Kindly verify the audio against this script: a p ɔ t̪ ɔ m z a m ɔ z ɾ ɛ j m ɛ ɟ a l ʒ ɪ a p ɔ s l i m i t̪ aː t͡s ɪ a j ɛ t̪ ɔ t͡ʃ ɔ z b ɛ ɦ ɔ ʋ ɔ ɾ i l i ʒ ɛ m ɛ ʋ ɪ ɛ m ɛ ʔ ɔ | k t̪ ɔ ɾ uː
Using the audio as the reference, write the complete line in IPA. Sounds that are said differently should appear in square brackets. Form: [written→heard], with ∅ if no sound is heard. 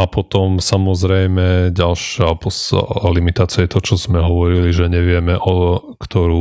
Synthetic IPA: a p ɔ t̪ ɔ m [z→s] a m ɔ z ɾ ɛ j m ɛ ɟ a l [ʒ→ʃ] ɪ a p ɔ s l i m i t̪ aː t͡s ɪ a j ɛ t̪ ɔ t͡ʃ ɔ z [b→m] ɛ ɦ ɔ ʋ ɔ ɾ i l i ʒ ɛ [m→ɲ] ɛ ʋ ɪ ɛ m ɛ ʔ ɔ | k t̪ ɔ ɾ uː